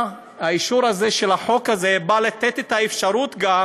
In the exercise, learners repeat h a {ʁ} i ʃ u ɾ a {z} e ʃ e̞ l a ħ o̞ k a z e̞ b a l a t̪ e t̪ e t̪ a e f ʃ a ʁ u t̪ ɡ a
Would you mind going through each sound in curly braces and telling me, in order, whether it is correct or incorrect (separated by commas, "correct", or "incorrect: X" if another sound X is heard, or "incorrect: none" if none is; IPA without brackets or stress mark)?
incorrect: none, correct